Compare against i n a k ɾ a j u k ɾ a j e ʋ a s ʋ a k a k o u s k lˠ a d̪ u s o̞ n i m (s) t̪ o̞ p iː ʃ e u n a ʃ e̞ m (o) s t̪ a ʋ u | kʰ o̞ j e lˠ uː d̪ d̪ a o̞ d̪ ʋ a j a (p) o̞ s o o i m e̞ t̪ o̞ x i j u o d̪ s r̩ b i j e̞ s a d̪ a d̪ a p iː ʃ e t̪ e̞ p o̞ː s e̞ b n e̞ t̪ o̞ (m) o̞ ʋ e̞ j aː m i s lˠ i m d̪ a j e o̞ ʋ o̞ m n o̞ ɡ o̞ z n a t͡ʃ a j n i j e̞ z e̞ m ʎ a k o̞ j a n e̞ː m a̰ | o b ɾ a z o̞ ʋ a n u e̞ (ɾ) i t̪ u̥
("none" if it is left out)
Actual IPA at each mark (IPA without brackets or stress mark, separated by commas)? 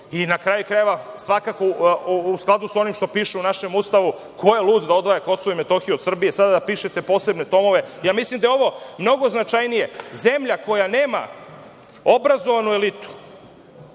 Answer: ʃ, u, k, m, l